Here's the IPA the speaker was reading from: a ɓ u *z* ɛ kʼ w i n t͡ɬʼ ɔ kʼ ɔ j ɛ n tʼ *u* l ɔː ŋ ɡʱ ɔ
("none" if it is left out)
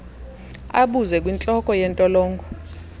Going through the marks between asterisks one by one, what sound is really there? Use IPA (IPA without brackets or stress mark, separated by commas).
z, ɔ